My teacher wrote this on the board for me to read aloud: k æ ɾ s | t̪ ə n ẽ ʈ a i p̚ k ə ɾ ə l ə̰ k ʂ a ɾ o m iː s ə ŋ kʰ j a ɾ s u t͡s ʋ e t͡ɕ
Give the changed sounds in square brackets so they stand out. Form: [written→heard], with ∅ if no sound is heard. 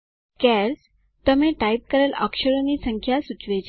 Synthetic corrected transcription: k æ ɾ s | t̪ ə [n→m] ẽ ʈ a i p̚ k ə ɾ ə l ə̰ k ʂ [a→ə] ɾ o [m→n] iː s ə ŋ kʰ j a [ɾ→∅] s u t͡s ʋ e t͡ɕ

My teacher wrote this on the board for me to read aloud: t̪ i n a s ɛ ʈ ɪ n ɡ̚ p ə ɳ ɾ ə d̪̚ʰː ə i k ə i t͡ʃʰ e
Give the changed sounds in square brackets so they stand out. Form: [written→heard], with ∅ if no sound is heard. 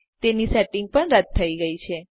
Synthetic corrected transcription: t̪ [i→e] n [a→i] s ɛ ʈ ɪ [n→ŋ] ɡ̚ p ə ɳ ɾ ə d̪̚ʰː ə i [k→ɡ] ə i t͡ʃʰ e

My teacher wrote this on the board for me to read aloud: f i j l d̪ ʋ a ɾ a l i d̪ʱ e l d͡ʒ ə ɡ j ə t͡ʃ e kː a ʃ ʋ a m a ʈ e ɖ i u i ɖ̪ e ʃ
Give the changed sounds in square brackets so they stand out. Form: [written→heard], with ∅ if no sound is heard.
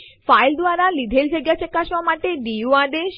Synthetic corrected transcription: f [i→a] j l d̪ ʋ a ɾ a l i d̪ʱ e l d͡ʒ [ə→a] ɡ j [ə→a] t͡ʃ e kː a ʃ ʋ a m a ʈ e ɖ i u [i→a] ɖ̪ e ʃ

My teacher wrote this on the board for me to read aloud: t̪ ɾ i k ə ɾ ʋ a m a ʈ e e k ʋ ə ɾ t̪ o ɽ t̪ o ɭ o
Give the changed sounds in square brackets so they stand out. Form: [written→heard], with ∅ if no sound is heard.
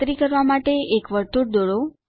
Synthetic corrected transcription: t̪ ɾ i k ə ɾ ʋ a m a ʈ e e k ʋ ə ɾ t̪ [o→u] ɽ [t̪→d̪] o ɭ o

